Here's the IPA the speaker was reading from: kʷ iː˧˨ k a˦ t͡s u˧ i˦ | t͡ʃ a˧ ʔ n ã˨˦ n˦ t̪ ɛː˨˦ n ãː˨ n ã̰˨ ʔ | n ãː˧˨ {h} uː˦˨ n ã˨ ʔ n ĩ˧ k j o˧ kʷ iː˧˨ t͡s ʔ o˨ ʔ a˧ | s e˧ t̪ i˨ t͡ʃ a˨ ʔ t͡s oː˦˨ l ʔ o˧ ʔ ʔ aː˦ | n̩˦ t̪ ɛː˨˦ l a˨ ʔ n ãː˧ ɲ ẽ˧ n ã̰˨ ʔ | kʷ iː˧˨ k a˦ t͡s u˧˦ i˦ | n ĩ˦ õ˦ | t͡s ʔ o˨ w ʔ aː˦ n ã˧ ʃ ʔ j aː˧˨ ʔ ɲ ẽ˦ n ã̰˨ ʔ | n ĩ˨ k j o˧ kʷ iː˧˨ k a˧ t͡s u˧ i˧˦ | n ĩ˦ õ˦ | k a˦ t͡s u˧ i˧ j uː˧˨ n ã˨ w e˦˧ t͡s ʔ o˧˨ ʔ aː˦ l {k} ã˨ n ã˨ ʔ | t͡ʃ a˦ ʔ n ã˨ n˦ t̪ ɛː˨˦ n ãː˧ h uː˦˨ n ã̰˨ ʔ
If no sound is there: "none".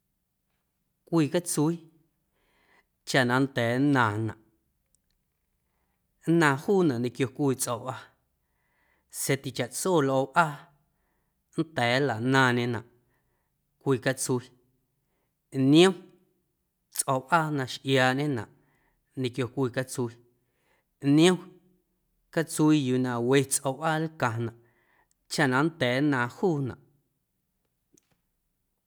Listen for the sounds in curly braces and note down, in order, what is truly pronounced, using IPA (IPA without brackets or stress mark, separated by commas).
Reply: h, k